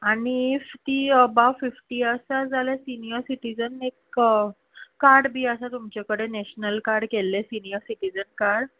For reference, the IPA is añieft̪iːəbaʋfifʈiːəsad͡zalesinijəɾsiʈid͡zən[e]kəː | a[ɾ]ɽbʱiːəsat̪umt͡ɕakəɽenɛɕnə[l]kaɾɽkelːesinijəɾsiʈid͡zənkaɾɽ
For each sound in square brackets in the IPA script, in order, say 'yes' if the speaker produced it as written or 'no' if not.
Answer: yes, yes, yes

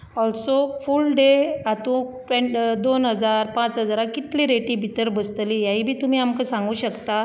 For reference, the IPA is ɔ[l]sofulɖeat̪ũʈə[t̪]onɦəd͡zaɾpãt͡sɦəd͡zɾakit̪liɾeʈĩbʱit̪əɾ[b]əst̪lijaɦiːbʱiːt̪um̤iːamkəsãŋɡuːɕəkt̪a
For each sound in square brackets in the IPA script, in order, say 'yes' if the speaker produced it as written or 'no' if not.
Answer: yes, no, yes

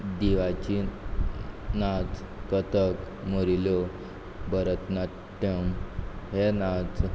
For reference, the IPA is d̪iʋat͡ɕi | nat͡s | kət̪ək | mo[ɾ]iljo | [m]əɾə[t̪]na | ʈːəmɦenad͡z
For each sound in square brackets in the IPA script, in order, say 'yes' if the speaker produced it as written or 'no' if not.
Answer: yes, no, yes

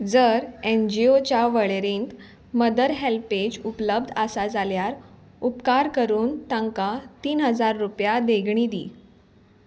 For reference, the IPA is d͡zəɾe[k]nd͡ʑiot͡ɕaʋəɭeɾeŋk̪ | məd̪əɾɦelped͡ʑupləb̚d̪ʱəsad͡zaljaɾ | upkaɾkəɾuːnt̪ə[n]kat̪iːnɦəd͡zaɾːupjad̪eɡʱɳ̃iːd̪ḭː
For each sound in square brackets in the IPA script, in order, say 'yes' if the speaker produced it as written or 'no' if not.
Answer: no, no

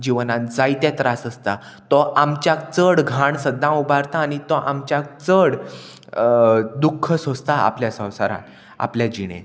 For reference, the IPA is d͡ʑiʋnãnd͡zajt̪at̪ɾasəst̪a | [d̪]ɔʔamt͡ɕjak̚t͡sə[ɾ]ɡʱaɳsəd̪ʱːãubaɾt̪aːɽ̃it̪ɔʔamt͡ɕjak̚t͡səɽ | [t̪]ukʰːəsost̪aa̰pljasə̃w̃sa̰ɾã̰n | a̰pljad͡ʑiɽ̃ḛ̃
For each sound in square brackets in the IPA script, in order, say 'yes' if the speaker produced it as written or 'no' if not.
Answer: no, no, no

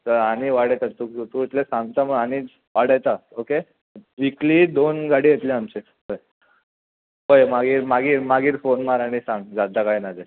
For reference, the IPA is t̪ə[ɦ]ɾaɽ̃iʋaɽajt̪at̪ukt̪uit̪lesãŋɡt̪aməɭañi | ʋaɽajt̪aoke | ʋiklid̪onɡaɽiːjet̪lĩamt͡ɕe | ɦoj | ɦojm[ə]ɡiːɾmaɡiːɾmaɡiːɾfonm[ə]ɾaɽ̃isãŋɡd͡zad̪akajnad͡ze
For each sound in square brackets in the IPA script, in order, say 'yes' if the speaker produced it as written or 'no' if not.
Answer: no, no, no

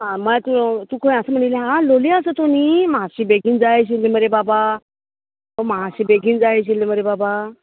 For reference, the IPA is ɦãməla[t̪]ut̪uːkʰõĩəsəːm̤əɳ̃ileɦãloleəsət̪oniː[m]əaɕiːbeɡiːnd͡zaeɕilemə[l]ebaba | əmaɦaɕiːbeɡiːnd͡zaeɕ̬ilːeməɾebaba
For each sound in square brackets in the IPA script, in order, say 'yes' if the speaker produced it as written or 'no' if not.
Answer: yes, yes, no

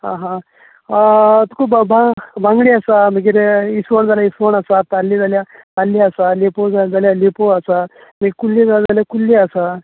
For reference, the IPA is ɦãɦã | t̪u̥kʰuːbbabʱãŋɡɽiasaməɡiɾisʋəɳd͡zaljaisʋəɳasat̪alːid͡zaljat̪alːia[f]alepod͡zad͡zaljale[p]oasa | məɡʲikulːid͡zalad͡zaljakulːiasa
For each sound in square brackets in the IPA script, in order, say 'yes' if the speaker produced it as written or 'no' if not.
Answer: no, yes

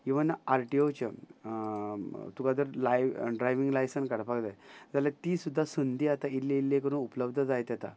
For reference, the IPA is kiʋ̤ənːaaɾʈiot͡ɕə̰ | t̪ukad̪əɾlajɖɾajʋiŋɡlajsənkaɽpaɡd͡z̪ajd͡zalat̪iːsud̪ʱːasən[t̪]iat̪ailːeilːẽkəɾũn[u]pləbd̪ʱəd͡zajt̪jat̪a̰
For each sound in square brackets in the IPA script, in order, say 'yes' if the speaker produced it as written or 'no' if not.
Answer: no, yes

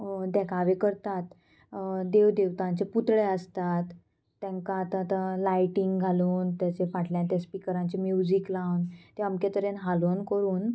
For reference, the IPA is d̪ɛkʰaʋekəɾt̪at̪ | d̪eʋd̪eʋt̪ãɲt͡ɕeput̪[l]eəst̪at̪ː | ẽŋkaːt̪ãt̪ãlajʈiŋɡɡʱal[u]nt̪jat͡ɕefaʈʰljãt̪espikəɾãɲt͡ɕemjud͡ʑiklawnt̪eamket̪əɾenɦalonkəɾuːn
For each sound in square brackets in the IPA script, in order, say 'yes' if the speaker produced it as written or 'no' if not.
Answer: no, no

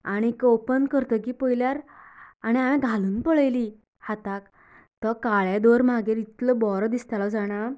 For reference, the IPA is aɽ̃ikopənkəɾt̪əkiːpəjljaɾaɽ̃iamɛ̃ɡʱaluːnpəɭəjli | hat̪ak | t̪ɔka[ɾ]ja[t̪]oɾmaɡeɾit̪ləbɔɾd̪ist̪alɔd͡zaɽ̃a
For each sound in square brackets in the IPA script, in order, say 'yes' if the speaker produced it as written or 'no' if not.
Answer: no, no

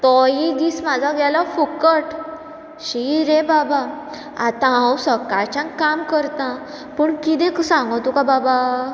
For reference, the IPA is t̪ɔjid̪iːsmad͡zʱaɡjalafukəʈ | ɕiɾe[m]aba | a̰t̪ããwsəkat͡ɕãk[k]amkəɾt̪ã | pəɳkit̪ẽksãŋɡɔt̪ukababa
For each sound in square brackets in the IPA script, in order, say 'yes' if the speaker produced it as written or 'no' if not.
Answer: no, yes

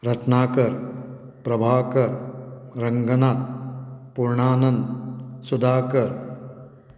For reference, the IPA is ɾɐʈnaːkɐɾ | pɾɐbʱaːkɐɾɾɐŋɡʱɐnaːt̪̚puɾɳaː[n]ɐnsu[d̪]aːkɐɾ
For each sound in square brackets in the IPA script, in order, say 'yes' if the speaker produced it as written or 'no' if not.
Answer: yes, yes

